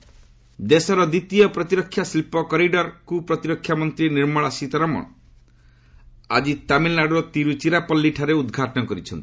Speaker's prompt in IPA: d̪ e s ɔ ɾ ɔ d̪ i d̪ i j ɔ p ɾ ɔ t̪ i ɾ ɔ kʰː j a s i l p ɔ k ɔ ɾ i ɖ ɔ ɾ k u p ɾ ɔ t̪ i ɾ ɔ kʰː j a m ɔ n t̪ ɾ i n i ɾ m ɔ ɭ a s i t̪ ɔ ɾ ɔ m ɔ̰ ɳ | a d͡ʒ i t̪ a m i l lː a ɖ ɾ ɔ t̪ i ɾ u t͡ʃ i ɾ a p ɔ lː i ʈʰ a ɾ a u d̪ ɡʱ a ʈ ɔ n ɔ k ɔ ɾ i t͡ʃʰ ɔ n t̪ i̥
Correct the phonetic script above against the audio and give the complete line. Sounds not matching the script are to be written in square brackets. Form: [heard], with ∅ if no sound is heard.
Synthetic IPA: d̪ e s ɔ ɾ ɔ d̪ i [t̪] i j ɔ p ɾ ɔ t̪ i ɾ ɔ kʰː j a s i l p ɔ k ɔ ɾ i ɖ ɔ ɾ k u p ɾ ɔ t̪ i ɾ ɔ kʰː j a m ɔ n t̪ ɾ i n i ɾ m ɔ ɭ a s i t̪ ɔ ɾ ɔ m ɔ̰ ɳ | a d͡ʒ i t̪ a m i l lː a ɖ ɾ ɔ t̪ i ɾ u t͡ʃ i ɾ a p ɔ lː i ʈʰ a ɾ [e] u d̪ ɡʱ a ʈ ɔ n ɔ k ɔ ɾ i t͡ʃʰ ɔ n t̪ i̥